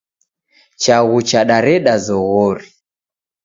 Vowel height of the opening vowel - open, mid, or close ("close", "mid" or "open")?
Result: open